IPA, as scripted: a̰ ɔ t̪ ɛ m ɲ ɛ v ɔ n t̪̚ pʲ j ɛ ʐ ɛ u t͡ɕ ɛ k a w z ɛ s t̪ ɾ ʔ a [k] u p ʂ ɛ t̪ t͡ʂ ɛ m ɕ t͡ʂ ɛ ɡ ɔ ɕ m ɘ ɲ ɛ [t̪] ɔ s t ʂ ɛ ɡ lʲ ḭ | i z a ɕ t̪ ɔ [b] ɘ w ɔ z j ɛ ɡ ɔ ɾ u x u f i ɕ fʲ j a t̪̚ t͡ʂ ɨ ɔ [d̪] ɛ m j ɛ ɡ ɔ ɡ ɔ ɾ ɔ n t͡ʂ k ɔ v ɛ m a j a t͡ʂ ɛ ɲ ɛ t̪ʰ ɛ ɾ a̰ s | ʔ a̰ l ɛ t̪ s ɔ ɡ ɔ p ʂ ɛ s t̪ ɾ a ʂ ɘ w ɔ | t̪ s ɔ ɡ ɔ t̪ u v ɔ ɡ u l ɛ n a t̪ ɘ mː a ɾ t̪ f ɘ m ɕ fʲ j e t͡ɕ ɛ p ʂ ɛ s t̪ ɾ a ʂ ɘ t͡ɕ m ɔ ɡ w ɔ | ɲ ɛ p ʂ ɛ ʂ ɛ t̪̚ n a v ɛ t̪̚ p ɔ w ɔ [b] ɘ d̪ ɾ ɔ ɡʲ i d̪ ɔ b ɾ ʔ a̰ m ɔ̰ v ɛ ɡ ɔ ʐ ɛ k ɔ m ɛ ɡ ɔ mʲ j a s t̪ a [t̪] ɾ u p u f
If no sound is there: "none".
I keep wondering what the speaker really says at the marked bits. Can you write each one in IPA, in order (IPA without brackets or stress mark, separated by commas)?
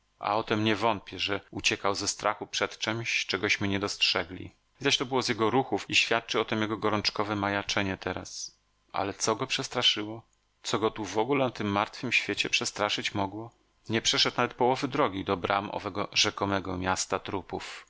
x, d̪, b, t̪, v, t̪